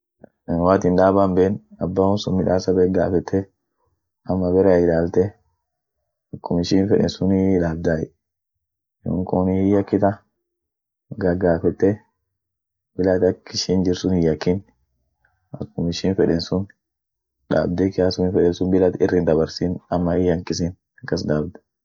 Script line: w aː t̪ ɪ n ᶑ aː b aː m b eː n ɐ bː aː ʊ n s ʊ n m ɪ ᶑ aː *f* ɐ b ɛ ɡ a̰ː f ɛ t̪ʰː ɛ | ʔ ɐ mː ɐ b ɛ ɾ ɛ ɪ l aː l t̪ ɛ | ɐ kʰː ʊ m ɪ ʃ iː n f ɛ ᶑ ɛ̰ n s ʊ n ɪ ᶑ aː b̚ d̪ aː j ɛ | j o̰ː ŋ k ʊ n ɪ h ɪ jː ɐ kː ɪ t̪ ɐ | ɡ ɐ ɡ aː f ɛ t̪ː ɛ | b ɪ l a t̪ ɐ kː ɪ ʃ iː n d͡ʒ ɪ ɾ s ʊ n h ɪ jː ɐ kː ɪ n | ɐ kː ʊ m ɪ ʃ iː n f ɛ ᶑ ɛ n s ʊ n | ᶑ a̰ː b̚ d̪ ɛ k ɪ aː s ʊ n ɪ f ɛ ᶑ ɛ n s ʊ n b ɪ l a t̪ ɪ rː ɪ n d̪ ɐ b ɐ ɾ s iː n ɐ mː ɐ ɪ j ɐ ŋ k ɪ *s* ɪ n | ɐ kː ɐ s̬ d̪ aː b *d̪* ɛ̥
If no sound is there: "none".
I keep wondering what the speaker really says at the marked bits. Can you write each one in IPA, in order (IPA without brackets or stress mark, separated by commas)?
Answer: s, s, d̪